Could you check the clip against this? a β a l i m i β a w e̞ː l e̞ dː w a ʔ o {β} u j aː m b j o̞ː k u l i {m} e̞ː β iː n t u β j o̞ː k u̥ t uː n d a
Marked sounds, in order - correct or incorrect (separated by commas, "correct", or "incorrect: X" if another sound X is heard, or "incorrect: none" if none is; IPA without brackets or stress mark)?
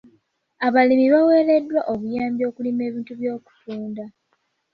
correct, correct